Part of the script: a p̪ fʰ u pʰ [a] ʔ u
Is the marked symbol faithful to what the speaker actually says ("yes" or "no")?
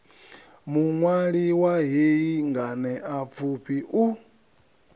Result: no